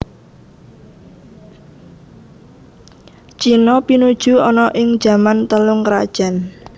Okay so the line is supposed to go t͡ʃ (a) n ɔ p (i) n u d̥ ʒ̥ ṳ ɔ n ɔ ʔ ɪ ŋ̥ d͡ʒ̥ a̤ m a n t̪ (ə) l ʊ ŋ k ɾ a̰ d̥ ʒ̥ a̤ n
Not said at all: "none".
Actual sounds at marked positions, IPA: i, i, ə

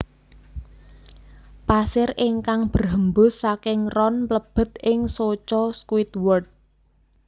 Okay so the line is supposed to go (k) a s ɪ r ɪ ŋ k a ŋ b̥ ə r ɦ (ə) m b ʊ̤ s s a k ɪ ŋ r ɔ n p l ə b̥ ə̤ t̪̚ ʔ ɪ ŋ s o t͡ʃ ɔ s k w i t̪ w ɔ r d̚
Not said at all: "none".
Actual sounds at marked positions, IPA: p, ə

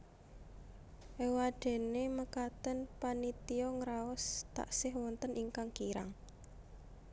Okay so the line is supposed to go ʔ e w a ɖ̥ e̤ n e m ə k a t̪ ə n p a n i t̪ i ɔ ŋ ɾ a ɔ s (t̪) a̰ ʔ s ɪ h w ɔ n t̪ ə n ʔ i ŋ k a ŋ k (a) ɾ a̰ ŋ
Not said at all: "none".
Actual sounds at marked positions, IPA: t̪, i

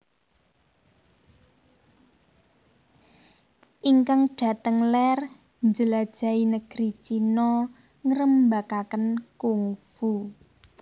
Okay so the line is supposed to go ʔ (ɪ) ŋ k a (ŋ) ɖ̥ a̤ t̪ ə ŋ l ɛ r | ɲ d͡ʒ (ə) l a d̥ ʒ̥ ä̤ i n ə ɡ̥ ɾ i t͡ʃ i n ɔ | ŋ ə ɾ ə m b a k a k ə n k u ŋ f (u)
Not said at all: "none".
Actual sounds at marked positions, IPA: i, ŋ, ə, u

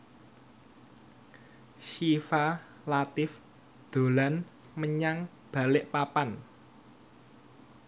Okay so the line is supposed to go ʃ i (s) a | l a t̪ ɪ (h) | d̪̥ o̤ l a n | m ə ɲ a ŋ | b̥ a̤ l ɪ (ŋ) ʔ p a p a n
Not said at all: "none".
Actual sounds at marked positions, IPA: f, f, none

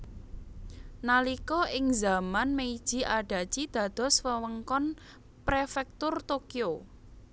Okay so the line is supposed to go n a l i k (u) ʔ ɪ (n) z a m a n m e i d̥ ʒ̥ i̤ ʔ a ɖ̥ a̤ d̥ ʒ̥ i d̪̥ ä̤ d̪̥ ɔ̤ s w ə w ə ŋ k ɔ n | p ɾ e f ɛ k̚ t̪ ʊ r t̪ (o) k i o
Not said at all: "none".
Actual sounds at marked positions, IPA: ɔ, ŋ, o

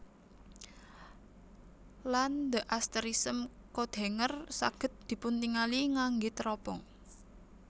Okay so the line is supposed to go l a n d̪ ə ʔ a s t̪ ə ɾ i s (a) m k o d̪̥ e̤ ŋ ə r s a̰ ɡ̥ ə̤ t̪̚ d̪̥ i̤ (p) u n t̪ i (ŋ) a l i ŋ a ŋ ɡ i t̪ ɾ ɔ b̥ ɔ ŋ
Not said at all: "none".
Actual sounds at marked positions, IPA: ə, p, ŋ

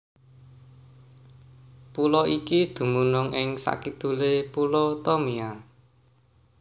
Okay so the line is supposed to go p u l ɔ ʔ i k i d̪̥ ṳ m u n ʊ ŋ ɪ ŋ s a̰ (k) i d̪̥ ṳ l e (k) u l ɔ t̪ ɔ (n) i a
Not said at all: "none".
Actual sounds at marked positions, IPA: k, p, m

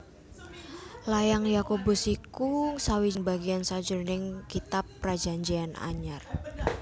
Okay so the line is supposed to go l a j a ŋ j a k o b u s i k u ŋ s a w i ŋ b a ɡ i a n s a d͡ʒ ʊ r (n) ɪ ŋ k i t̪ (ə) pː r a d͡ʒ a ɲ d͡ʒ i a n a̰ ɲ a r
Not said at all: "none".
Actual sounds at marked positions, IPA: n, a

